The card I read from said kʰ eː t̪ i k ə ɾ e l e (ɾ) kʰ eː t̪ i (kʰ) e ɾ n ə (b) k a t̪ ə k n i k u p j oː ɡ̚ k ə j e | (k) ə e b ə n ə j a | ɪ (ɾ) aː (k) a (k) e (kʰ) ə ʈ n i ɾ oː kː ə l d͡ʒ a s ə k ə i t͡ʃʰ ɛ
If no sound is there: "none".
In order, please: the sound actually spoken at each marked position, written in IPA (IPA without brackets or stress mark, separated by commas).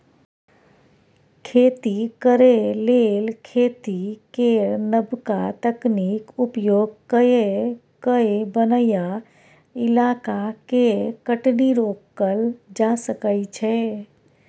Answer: l, k, b, k, l, k, k, k